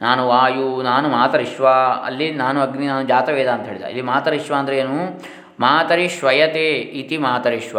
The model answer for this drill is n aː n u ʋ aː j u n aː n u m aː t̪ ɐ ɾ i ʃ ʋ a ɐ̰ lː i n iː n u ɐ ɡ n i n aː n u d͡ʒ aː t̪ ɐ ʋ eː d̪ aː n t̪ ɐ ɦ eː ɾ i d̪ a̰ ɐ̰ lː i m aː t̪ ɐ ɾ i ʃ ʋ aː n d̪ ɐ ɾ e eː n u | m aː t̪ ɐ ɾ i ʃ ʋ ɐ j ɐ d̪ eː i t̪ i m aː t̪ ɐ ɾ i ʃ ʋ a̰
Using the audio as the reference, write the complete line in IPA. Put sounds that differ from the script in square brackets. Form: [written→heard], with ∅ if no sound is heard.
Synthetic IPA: n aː n u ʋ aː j u n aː n u m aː t̪ ɐ ɾ i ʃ ʋ a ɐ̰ lː i n [iː→aː] n u ɐ ɡ n i n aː n u d͡ʒ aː t̪ ɐ ʋ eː d̪ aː n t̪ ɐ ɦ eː [ɾ→ɭ] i d̪ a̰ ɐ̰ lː i m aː t̪ ɐ ɾ i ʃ ʋ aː n d̪ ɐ ɾ e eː n u | m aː t̪ ɐ ɾ i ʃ ʋ ɐ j ɐ [d̪→t̪] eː i t̪ i m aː t̪ ɐ ɾ i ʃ ʋ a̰